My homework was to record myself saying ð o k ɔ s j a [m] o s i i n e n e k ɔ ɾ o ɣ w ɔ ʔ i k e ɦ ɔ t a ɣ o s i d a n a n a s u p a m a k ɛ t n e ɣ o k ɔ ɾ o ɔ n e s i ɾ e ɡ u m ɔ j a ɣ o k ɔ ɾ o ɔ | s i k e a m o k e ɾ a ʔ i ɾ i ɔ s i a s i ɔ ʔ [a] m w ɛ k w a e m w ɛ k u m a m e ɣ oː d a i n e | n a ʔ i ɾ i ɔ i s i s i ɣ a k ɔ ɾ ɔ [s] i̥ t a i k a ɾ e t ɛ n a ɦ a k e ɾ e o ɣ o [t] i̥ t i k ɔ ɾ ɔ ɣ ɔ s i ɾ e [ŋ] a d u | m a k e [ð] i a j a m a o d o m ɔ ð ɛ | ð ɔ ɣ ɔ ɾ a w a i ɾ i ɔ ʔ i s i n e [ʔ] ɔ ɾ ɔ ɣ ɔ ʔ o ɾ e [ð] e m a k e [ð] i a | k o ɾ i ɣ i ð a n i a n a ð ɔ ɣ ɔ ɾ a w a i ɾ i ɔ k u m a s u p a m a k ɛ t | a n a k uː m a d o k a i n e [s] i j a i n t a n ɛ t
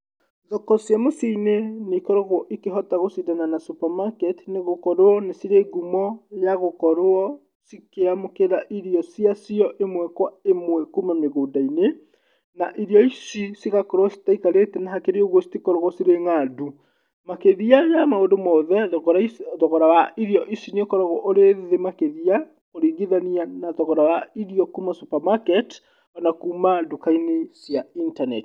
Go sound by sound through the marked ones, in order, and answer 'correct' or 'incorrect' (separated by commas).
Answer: correct, incorrect, correct, incorrect, correct, correct, incorrect, correct, correct, correct